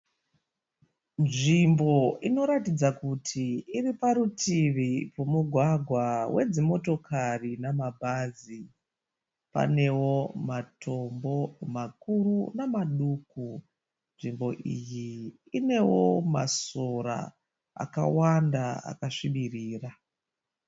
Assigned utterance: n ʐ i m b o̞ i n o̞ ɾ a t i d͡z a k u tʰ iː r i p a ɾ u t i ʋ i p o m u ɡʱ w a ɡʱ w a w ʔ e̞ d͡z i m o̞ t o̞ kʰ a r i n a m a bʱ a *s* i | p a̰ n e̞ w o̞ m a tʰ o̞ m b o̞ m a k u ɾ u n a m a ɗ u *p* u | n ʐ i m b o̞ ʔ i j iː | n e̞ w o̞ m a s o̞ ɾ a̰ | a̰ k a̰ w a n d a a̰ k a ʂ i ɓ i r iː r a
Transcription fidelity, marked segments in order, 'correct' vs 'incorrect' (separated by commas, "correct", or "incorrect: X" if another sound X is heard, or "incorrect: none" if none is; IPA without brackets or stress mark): incorrect: z, incorrect: k